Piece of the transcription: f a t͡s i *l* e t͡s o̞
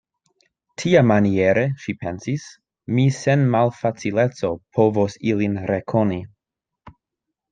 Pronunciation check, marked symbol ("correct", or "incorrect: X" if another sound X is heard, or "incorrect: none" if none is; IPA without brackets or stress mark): correct